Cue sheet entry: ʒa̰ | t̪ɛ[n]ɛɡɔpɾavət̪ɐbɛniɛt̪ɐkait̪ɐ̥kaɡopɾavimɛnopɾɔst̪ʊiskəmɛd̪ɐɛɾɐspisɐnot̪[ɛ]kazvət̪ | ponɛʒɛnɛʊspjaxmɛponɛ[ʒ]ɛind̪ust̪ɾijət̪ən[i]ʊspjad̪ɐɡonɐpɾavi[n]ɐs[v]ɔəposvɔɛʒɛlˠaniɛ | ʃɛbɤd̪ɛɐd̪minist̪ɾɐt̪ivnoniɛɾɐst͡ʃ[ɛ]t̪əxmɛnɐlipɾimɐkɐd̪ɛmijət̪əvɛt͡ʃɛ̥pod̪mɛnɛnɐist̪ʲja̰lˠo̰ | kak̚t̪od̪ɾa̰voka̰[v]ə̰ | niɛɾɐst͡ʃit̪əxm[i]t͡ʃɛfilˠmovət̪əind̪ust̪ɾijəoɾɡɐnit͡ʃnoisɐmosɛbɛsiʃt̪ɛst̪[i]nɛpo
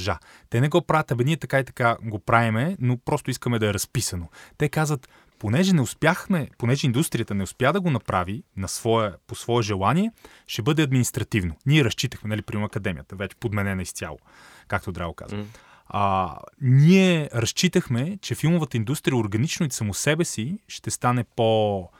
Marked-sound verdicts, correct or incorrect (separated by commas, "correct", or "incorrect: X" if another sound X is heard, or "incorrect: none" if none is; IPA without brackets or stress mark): correct, correct, correct, incorrect: ɛ, correct, correct, incorrect: i, incorrect: z, incorrect: ɛ, incorrect: a